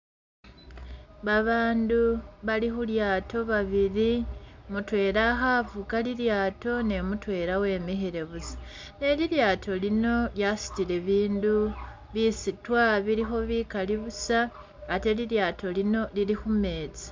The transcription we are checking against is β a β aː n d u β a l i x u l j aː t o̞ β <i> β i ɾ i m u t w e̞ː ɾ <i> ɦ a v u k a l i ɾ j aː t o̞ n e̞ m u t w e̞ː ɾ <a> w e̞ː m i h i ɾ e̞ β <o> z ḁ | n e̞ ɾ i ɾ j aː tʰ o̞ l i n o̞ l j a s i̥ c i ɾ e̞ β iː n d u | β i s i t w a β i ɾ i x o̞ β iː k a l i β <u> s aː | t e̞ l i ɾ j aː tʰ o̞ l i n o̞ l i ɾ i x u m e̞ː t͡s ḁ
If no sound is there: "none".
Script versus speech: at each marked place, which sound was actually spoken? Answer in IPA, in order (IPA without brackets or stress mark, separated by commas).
a, a, a, u, u